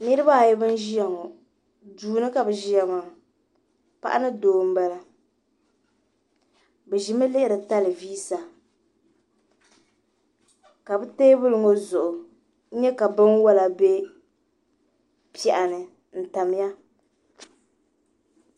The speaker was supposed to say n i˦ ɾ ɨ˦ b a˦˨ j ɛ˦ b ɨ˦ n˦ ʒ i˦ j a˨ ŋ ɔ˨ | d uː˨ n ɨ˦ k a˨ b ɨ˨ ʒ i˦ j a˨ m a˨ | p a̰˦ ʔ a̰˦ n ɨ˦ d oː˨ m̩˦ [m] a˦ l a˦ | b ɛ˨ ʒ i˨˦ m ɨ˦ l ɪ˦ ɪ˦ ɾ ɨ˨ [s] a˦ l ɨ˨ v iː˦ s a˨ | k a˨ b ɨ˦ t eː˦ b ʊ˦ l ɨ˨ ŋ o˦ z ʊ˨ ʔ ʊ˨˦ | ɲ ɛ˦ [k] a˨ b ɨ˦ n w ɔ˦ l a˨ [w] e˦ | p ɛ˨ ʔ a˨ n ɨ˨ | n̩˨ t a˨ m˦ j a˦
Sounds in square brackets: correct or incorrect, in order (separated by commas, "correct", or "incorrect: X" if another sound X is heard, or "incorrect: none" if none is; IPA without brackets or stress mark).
incorrect: b, incorrect: t, correct, incorrect: b